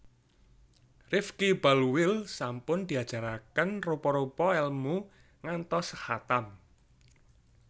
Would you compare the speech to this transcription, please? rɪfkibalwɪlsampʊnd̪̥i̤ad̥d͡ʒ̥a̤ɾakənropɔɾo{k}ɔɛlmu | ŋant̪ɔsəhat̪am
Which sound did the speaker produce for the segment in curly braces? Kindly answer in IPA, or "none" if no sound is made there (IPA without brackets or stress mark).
p